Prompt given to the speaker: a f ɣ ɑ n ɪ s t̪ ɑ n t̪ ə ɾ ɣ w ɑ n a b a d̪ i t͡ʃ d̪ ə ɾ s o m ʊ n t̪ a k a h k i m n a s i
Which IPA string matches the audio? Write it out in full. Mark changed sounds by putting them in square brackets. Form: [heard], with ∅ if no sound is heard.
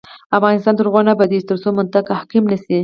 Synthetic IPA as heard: a f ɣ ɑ n ɪ s t̪ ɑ n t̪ ə ɾ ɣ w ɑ n a b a d̪ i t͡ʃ [t̪] ə ɾ s o m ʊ n t̪ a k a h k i m n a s i